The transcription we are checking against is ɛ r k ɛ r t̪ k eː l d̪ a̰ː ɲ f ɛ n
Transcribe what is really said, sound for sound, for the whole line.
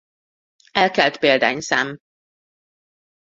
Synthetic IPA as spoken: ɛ l k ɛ l t̪ p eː l d̪ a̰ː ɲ s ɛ m